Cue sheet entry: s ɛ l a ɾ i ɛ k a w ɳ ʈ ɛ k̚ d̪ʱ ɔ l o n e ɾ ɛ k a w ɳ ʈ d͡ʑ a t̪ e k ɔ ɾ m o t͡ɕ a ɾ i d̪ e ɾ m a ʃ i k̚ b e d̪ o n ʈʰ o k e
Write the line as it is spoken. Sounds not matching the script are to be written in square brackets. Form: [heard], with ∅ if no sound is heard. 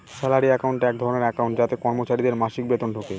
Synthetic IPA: s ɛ l a ɾ i ɛ k a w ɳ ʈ ɛ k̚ d̪ʱ ɔ [ɾ] o n e ɾ ɛ k a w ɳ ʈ d͡ʑ a t̪ e k ɔ ɾ m o t͡ɕ a ɾ i d̪ e ɾ m a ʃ i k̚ b e [t̪] o n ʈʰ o k e

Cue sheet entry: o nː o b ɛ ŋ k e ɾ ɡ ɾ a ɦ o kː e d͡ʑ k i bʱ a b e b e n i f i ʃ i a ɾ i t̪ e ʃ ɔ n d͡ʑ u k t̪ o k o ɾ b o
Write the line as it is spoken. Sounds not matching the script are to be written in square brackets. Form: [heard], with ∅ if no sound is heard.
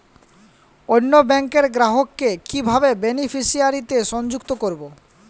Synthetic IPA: o nː o b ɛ ŋ k e ɾ ɡ ɾ a ɦ o kː e [∅] k i bʱ a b e b e n i f i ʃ i a ɾ i t̪ e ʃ ɔ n d͡ʑ u k t̪ o k o ɾ b o

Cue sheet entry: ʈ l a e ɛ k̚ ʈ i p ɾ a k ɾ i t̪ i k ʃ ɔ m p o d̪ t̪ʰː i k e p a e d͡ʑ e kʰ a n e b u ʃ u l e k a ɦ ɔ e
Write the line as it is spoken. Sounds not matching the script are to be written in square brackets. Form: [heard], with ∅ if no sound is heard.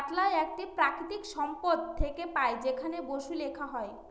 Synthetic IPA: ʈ l a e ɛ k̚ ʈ i p ɾ a k ɾ i t̪ i k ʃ ɔ m p o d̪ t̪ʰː [e] k e p a e d͡ʑ e kʰ a n e b [o] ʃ u l e [kʰ] a ɦ ɔ e

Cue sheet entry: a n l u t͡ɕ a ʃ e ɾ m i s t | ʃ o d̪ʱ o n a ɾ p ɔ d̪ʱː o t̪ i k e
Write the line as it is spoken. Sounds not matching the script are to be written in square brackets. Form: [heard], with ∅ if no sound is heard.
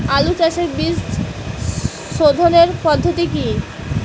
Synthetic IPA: a [∅] l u t͡ɕ a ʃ e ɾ [b] i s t | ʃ o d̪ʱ o n [e] ɾ p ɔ d̪ʱː o t̪ i k [i]

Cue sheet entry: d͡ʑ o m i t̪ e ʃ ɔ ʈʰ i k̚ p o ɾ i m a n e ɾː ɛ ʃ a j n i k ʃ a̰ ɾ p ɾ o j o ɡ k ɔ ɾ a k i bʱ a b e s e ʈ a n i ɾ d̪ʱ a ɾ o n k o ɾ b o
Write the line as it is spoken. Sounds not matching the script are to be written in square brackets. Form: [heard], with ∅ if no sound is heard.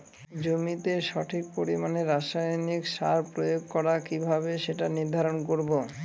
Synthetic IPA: d͡ʑ o m i t̪ e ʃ ɔ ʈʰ i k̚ p o ɾ i m a n e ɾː [a] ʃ a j n i k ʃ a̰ ɾ p ɾ o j o ɡ k ɔ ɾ a k i bʱ a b e [ʃ] e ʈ a n i ɾ d̪ʱ a ɾ o n k o ɾ b o

